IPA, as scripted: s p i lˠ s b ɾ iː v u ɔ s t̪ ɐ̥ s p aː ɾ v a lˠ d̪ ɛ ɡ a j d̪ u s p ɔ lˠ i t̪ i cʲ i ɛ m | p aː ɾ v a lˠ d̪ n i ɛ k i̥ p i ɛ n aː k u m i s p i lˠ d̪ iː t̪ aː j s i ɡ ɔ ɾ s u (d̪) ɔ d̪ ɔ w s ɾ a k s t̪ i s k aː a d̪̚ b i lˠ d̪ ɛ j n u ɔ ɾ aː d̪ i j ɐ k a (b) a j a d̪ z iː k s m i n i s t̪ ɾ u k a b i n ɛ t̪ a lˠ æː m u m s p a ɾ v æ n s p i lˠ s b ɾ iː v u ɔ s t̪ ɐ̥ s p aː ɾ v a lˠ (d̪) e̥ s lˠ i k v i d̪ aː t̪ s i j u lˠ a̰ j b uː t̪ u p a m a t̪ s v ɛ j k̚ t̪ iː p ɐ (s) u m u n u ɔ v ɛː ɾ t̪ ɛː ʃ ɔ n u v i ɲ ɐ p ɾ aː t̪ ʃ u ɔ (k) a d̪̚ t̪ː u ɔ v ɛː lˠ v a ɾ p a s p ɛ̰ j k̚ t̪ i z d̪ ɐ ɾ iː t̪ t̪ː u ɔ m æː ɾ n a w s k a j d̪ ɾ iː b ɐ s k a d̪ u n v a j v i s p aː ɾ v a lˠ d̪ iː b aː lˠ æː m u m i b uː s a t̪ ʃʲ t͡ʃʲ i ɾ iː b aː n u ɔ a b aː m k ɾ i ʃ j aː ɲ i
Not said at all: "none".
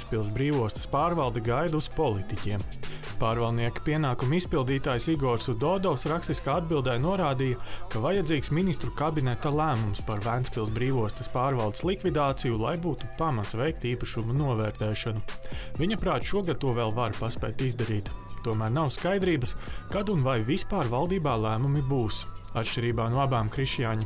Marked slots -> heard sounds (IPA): d̪, v, d̪, ʃ, ɡ

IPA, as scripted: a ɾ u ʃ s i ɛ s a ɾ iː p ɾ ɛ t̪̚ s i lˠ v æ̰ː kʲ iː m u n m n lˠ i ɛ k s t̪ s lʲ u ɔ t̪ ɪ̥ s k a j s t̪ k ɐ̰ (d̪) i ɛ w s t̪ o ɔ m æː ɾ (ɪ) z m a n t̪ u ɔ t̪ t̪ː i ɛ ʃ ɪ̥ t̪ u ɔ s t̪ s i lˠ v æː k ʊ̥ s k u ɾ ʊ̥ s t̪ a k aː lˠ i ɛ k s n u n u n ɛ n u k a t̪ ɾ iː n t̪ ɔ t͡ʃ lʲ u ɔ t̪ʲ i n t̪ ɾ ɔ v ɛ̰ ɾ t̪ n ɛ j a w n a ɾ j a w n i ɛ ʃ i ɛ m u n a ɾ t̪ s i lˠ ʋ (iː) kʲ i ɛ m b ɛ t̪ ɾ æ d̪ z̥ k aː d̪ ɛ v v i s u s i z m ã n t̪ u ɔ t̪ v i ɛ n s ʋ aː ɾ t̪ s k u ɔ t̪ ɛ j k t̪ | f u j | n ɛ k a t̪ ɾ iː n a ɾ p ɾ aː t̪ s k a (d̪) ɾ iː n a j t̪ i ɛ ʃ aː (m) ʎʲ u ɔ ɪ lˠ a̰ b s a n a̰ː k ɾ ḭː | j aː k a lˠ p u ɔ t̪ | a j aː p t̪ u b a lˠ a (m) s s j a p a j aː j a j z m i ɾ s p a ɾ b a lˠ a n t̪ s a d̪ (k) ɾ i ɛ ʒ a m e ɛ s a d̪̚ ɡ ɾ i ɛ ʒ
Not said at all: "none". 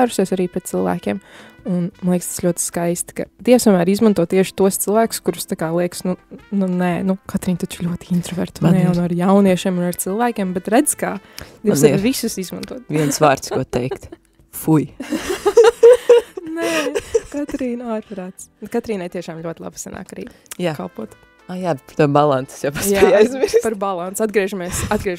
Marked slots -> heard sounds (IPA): d̪, i, æː, t̪, m, n, ɡ

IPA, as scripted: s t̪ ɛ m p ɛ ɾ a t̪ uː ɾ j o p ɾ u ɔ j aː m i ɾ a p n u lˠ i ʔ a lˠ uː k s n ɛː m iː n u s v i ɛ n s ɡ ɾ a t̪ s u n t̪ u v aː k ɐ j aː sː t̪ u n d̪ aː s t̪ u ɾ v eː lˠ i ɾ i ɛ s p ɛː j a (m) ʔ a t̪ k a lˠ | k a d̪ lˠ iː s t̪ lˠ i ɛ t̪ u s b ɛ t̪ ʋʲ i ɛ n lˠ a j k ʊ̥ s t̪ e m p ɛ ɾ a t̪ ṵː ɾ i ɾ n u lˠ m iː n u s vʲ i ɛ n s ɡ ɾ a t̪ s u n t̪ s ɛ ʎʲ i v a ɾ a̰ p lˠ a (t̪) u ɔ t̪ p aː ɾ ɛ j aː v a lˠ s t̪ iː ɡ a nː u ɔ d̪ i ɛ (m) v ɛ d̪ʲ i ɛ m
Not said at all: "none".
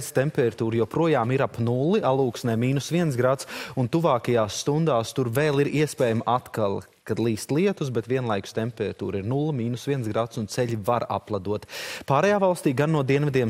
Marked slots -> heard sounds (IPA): m, d̪, n

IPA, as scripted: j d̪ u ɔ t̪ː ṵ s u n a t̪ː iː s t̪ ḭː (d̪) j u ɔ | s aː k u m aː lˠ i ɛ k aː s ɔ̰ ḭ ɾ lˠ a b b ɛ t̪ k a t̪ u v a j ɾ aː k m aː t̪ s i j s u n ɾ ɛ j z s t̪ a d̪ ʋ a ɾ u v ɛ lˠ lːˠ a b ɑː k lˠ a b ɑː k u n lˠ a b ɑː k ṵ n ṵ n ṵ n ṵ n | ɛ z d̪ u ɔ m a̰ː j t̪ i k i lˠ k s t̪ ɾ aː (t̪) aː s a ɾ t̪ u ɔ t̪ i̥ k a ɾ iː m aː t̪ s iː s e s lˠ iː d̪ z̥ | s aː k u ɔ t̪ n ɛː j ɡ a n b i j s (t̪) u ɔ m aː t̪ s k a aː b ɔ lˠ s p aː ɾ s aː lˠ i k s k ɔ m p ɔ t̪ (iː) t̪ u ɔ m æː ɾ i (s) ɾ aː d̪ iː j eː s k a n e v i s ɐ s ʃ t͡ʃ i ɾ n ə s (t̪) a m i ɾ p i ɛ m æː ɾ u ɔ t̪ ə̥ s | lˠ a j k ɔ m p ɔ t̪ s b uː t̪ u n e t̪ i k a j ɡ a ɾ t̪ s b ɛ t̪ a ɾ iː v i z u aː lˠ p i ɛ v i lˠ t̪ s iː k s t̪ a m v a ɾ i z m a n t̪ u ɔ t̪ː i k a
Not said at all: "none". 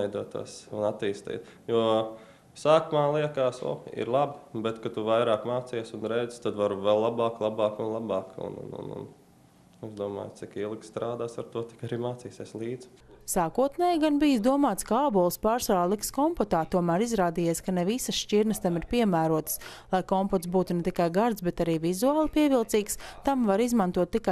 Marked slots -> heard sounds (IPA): t̪, d̪, d̪, aː, z, t̪

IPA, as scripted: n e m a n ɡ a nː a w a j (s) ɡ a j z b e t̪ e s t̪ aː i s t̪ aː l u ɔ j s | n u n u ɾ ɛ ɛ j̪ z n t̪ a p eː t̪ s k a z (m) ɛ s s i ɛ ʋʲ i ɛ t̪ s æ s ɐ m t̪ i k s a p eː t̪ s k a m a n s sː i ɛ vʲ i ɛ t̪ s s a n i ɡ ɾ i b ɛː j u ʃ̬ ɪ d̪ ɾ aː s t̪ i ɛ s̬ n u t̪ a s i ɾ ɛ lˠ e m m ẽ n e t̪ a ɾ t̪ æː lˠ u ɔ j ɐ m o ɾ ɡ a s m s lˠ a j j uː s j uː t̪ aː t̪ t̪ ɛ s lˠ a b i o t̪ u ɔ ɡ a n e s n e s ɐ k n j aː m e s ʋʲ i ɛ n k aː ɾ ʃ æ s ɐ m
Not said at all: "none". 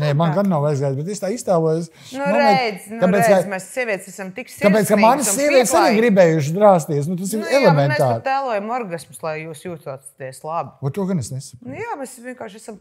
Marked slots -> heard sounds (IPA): z, m

